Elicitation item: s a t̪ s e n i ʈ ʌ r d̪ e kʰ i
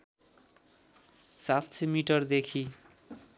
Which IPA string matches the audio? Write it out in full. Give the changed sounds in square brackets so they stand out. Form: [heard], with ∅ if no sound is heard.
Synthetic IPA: s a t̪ s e [m] i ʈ ʌ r d̪ e kʰ i